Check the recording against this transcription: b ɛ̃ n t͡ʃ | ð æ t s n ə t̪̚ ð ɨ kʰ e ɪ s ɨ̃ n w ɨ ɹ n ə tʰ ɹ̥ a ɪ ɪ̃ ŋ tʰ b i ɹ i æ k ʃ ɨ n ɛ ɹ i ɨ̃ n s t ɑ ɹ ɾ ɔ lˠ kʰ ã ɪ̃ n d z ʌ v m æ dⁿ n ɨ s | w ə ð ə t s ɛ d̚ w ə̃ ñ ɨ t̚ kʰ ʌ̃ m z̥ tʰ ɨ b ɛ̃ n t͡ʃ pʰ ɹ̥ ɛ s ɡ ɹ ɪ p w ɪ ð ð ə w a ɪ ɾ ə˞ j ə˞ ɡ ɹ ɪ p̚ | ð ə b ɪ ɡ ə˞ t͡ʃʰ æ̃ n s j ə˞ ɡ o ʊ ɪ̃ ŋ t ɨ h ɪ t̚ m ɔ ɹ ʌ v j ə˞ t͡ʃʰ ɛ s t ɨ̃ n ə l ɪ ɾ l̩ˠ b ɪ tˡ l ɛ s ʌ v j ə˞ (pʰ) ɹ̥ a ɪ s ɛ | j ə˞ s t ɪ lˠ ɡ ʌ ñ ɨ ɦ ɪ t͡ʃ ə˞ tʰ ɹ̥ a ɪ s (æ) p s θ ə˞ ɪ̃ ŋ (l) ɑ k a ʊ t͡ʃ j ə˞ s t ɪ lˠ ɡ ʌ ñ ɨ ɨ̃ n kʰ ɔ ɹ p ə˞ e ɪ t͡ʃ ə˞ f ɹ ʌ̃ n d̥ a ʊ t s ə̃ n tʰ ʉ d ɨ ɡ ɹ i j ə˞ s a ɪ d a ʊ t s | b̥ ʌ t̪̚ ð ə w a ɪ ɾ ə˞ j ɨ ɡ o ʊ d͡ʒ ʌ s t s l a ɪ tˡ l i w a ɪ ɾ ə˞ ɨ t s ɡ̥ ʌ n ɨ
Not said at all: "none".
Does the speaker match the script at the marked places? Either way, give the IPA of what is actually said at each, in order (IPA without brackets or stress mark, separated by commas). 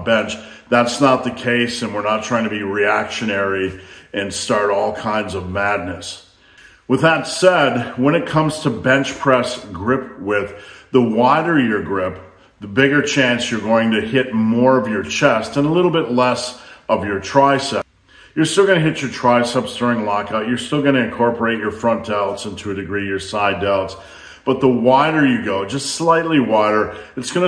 tʰ, ɛ, l